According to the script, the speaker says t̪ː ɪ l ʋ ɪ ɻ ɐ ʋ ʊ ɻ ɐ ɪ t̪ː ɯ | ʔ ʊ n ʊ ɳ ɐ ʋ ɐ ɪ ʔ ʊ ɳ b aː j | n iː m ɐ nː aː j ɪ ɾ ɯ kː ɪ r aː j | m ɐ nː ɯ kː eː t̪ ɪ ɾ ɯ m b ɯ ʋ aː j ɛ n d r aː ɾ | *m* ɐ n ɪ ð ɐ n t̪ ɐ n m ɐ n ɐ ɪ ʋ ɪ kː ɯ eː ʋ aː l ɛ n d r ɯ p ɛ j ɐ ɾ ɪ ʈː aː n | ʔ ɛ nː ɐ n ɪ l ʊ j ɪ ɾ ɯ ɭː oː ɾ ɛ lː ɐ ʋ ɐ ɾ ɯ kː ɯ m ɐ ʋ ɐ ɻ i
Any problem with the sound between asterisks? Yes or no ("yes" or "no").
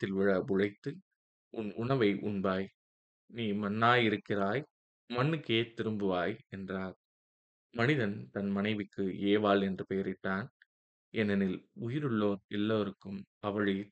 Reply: no